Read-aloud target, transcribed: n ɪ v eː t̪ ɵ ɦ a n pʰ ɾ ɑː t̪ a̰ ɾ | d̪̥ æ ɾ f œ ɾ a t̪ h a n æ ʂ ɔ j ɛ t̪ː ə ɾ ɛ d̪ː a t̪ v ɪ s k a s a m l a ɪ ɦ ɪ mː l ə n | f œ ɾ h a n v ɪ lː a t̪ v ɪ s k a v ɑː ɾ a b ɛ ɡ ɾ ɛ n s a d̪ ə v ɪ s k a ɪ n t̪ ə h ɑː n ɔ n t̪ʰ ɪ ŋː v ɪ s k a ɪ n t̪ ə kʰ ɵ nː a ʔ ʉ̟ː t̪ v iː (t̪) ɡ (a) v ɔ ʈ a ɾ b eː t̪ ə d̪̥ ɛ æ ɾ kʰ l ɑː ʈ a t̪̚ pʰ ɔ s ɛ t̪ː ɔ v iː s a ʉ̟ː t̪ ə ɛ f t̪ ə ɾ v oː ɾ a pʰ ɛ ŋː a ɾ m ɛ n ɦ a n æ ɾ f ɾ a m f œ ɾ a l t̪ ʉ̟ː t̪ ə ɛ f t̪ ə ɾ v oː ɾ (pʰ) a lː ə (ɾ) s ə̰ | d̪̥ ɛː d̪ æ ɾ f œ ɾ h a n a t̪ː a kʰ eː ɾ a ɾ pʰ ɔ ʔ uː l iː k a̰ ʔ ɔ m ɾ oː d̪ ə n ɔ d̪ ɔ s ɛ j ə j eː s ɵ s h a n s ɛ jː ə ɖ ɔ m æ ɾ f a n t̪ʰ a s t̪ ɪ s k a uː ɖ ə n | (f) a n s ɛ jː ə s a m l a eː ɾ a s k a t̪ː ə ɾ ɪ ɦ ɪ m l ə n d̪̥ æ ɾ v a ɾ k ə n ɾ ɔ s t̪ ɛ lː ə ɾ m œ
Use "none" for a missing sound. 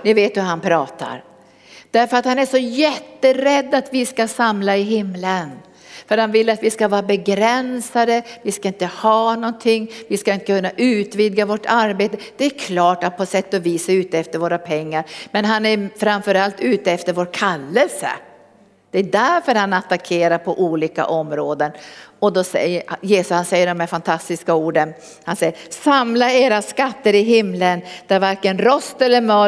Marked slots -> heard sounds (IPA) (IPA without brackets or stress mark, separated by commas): d̪, a, kʰ, l, h